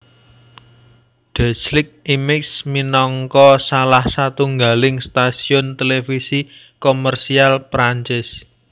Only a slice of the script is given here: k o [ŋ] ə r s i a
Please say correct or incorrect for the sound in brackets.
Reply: incorrect